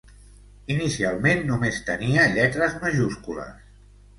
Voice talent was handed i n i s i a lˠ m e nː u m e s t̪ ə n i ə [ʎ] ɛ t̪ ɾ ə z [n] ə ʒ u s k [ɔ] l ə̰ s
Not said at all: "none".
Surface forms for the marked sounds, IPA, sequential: ʎ, m, u

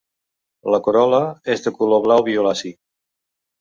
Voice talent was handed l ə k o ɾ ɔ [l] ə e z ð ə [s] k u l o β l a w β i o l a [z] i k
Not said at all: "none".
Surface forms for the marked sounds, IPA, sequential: l, none, s

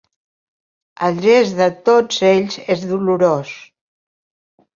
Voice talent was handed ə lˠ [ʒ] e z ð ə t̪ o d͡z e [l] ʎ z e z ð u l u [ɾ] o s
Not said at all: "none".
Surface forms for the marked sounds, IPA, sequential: ʒ, none, ɾ

